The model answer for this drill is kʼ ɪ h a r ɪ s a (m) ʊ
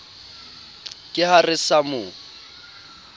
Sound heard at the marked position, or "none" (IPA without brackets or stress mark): m